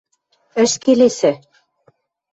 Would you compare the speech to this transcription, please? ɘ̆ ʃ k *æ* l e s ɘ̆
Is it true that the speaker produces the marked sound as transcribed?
no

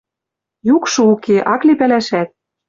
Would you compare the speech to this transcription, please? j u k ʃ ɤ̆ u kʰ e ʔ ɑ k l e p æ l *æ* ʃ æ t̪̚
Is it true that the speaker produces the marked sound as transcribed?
yes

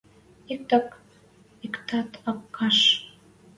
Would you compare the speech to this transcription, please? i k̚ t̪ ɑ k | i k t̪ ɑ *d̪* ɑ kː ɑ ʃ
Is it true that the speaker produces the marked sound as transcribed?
no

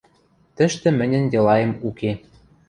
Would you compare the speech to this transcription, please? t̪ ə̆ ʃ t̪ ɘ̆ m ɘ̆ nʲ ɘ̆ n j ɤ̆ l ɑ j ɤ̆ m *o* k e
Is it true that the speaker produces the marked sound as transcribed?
no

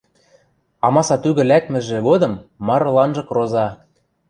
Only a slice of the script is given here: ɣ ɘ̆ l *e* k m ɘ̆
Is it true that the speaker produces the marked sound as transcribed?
no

